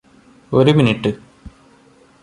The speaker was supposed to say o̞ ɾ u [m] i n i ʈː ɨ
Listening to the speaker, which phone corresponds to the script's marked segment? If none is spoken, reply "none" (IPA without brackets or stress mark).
m